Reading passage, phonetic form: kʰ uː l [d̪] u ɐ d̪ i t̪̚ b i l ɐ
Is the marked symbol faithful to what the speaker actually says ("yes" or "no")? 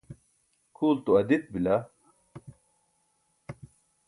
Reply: no